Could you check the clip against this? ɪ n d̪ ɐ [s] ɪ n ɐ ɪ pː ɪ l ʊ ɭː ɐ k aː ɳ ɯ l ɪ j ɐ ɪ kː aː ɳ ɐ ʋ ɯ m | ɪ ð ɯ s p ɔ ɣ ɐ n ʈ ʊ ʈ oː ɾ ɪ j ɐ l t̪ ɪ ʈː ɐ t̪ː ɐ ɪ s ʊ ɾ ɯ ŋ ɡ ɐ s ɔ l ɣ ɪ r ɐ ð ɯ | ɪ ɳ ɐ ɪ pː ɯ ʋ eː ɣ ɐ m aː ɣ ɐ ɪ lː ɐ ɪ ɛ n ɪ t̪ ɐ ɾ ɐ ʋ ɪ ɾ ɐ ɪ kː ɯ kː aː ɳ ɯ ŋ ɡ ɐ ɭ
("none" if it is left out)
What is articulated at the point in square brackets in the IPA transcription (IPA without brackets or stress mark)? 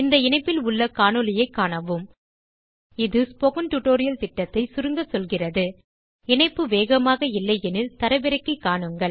none